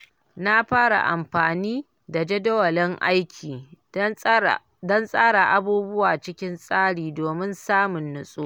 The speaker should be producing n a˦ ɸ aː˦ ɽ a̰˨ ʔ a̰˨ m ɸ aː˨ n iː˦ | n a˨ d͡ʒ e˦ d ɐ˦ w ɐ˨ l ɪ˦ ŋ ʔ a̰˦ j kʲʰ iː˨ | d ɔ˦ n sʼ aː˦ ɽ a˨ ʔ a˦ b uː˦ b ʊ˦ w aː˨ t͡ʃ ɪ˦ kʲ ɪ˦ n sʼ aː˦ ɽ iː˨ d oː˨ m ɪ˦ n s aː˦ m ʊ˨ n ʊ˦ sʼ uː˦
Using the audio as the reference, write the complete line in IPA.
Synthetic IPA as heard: n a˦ ɸ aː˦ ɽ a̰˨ ʔ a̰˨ m ɸ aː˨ n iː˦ | d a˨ d͡ʒ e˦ d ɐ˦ w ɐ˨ l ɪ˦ ŋ ʔ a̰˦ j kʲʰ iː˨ | d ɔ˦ n sʼ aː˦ ɽ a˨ ʔ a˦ b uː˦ b ʊ˦ w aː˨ t͡ʃ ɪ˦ kʲ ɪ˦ n sʼ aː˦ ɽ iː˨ d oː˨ m ɪ˦ n s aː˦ m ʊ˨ nː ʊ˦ sʼ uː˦